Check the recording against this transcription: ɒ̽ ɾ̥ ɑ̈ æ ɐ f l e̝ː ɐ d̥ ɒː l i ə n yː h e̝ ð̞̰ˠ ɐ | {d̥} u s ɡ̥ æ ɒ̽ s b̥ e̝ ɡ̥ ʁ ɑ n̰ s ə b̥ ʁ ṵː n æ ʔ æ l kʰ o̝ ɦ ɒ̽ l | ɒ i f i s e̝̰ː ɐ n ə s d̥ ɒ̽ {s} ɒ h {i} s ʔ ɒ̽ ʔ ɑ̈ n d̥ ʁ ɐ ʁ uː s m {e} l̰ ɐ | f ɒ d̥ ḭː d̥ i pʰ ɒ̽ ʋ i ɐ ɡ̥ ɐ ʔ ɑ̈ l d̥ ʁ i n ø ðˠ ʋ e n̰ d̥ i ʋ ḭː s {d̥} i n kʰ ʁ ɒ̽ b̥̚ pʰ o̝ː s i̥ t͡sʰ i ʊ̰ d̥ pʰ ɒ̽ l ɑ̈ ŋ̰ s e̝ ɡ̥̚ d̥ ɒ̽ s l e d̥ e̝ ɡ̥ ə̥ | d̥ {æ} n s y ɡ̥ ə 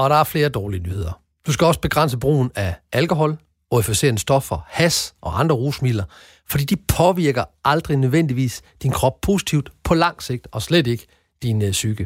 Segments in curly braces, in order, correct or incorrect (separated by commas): correct, incorrect, incorrect, incorrect, correct, incorrect